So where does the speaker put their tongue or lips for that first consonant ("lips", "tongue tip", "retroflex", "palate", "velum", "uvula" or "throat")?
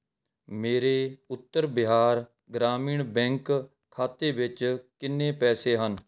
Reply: lips